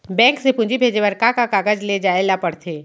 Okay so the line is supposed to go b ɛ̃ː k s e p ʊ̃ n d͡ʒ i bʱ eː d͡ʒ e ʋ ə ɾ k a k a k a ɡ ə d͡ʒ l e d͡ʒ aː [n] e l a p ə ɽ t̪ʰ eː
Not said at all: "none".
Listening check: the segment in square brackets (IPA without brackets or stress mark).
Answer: none